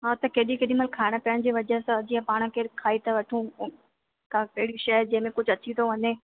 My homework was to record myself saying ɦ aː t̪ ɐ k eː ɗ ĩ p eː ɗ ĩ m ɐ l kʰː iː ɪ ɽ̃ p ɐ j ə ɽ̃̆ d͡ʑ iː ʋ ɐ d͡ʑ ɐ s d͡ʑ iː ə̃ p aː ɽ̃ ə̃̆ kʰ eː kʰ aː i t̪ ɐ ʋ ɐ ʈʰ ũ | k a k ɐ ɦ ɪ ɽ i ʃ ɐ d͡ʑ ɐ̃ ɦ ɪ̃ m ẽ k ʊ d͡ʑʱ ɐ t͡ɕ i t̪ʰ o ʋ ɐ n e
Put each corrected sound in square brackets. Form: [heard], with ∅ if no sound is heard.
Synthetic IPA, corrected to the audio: ɦ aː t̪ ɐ k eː ɗ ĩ [k] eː ɗ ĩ m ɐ l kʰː [aː] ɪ ɽ̃ p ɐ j ə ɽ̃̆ d͡ʑ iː ʋ ɐ d͡ʑ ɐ s d͡ʑ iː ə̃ p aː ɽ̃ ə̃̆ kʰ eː kʰ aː i t̪ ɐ ʋ ɐ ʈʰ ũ | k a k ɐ ɦ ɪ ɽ i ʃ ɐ d͡ʑ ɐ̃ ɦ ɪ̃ m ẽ k ʊ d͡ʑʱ ɐ t͡ɕ i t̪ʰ o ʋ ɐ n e